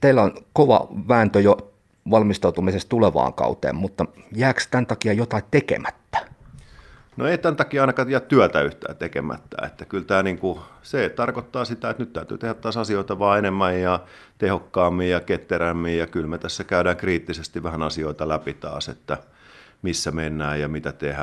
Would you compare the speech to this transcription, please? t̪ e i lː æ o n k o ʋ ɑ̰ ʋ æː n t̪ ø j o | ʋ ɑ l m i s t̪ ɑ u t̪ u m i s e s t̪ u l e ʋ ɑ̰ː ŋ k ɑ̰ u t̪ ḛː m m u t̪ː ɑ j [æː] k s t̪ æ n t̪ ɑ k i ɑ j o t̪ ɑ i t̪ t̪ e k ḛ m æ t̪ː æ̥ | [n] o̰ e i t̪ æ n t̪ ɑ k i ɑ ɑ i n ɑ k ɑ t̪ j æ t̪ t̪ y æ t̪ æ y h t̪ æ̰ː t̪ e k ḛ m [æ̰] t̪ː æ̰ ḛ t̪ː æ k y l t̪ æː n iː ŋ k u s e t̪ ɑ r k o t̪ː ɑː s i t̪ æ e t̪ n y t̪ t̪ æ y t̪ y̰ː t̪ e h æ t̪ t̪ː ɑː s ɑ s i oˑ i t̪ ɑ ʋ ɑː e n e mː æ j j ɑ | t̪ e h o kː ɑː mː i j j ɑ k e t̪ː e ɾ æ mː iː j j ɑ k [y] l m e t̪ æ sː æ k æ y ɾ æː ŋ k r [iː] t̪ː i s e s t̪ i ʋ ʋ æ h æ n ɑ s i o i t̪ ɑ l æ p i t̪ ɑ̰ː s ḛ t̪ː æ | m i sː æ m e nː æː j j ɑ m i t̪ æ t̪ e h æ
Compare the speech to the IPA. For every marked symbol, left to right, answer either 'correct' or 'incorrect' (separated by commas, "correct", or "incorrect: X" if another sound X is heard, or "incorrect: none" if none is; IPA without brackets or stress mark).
correct, correct, correct, correct, correct